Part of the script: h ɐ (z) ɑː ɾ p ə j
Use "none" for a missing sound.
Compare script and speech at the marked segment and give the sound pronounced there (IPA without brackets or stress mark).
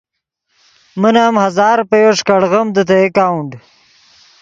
z